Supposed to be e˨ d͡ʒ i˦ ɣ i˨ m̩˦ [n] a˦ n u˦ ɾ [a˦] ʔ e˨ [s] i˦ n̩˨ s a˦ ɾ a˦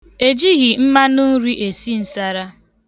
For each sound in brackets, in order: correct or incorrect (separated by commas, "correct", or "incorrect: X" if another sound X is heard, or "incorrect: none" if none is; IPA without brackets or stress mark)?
incorrect: m, incorrect: i˦, correct